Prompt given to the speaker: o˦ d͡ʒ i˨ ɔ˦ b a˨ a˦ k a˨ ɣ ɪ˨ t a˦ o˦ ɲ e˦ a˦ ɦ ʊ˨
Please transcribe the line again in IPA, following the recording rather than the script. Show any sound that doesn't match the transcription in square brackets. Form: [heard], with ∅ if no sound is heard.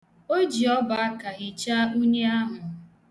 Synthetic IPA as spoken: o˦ d͡ʒ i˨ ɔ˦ b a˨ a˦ k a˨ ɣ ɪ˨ [t͡ʃ] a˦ [u˦] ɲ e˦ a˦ ɦ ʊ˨